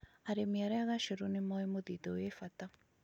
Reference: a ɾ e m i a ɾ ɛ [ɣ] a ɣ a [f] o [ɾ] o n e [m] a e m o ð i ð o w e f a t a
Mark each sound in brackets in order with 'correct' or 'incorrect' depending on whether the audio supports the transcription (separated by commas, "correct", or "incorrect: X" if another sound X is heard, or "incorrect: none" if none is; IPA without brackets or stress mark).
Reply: incorrect: none, incorrect: ʃ, correct, correct